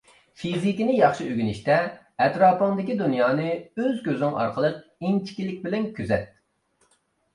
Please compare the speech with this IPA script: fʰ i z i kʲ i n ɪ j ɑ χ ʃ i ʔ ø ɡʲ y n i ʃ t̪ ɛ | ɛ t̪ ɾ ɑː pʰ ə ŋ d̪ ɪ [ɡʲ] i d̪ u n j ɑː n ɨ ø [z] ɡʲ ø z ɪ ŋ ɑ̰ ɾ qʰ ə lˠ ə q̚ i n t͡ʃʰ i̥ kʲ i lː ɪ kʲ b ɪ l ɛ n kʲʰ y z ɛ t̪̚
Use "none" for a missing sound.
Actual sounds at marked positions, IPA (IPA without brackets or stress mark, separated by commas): kʲ, z